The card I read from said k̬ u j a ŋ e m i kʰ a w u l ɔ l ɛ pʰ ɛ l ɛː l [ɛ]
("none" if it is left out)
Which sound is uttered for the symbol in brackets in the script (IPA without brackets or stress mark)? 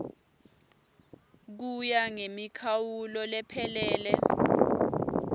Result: ɛ